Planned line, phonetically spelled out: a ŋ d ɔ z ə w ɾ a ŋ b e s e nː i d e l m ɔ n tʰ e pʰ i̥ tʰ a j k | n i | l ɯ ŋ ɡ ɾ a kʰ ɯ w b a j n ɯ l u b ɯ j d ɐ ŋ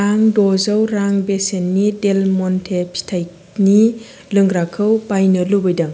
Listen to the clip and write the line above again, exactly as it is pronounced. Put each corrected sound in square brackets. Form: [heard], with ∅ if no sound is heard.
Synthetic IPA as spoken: a ŋ d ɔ z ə w ɾ a ŋ b e s e nː i d e l m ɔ n tʰ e pʰ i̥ tʰ a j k | n i | l ɯ ŋ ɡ ɾ a kʰ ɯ w b a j n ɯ l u b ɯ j d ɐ ŋ